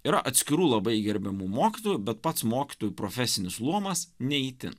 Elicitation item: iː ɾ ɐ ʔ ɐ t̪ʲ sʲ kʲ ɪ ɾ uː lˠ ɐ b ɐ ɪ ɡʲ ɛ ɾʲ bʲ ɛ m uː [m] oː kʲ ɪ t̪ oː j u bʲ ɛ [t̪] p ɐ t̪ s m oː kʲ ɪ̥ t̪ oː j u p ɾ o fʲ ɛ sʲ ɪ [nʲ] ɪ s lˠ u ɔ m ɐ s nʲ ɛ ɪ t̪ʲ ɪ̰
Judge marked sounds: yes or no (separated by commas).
yes, yes, yes